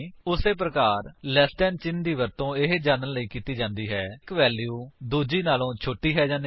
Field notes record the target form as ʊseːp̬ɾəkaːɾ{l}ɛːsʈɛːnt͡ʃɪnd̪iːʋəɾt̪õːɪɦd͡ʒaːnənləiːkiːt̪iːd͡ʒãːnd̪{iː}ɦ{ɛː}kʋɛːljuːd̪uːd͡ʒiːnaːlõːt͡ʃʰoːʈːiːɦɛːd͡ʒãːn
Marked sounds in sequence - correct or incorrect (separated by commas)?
correct, correct, correct